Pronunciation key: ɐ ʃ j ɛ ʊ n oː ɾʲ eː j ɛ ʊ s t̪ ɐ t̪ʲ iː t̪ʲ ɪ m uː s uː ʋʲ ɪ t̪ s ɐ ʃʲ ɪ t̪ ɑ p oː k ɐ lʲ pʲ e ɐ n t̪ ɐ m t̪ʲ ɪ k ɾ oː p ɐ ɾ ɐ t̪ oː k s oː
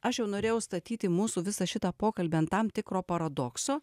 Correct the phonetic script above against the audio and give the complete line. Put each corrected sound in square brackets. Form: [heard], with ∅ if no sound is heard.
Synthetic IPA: ɐ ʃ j ɛ ʊ n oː ɾʲ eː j ɛ ʊ s t̪ ɐ t̪ʲ iː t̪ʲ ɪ m uː s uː ʋʲ ɪ [∅] s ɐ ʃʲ ɪ t̪ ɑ p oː k ɐ lʲ [bʲ] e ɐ n t̪ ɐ m t̪ʲ ɪ k ɾ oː p ɐ ɾ ɐ [d̪] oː k s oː